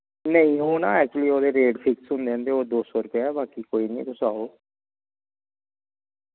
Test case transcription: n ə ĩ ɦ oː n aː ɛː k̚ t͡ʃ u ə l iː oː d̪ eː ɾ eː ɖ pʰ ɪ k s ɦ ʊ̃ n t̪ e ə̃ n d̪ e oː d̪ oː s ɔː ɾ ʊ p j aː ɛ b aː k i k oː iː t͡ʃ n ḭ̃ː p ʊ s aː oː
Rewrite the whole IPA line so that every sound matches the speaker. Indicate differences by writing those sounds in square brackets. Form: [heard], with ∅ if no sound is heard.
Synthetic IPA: n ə ĩ ɦ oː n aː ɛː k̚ t͡ʃ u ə l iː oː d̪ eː ɾ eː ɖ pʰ ɪ k s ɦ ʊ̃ n [d̪] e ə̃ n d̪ e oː d̪ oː s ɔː ɾ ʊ p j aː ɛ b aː k i k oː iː [∅] n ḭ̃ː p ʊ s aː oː